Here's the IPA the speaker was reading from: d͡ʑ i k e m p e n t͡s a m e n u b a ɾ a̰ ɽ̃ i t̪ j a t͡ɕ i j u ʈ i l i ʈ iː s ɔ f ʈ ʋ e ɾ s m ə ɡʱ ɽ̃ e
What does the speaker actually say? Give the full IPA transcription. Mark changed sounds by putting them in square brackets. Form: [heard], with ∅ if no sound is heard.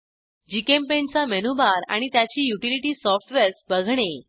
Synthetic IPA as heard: d͡ʑ i k e m p e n t͡s a m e n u b a ɾ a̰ ɽ̃ i t̪ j a t͡ɕ [iː] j u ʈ i l i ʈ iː s ɔ f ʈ ʋ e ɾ s [b] ə ɡʱ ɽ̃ e